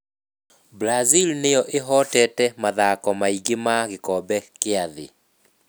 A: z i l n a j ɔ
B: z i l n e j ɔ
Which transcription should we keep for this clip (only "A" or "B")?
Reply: B